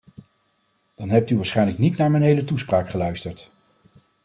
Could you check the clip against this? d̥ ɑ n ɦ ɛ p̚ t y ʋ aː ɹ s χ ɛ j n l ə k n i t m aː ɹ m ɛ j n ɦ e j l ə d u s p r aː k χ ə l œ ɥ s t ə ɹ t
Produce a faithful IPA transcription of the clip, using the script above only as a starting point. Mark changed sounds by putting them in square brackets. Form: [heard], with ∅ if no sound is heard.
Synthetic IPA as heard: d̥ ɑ n ɦ ɛ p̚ t y ʋ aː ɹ s χ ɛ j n l ə k n i t [n] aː ɹ m ɛ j n ɦ e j l ə [t] u s p r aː k χ ə l œ ɥ s t ə ɹ t